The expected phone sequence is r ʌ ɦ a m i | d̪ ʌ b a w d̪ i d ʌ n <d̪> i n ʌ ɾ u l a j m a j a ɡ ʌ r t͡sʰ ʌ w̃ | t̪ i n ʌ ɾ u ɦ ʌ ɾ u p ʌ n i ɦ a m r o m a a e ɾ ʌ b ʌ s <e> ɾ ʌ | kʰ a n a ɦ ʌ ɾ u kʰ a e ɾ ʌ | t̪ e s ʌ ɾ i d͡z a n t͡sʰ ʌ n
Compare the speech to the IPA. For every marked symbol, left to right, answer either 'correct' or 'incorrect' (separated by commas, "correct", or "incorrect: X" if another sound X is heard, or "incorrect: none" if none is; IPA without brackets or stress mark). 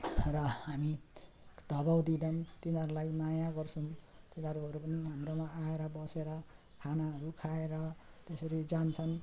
incorrect: t̪, correct